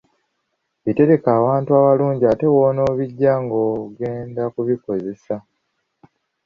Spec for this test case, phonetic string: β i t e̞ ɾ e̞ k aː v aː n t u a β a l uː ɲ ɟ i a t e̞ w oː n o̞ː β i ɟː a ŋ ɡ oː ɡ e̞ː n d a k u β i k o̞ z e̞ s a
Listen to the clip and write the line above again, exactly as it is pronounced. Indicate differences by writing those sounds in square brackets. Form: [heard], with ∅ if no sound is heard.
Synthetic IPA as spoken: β i t e̞ ɾ e̞ k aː [w] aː n t u a β a l uː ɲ ɟ i a t e̞ w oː n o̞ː β i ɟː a ŋ ɡ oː ɡ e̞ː n d a k u β i k o̞ z e̞ s a